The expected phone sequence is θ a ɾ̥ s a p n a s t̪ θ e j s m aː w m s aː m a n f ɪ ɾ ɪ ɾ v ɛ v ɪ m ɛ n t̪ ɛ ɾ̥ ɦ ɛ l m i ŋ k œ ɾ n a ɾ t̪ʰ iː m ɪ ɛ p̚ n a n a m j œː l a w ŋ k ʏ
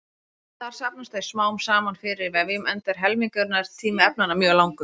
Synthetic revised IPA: θ a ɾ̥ s a p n a s t̪ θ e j s m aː w m s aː m a n f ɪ ɾ ɪ ɾ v ɛ v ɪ m ɛ n t̪ ɛ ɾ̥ ɦ ɛ l m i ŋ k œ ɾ n a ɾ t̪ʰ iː m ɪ ɛ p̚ n a n a m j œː l a w ŋ k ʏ